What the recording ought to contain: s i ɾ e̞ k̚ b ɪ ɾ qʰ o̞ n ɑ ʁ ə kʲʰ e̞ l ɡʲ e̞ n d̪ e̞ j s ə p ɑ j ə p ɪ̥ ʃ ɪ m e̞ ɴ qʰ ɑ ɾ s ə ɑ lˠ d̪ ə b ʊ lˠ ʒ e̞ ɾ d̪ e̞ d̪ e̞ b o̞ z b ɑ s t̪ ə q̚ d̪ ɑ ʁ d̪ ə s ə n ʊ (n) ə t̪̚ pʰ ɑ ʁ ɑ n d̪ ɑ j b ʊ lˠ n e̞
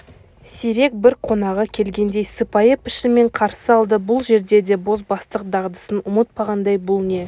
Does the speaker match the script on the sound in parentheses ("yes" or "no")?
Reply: no